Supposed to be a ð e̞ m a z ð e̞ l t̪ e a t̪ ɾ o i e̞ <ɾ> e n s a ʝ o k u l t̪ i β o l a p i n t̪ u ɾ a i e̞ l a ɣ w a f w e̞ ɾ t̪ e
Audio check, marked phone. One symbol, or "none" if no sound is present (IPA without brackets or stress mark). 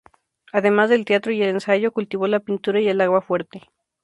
l